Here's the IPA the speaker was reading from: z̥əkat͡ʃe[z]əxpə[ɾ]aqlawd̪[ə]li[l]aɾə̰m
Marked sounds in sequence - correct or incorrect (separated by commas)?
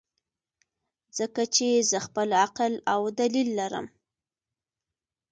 correct, incorrect, incorrect, incorrect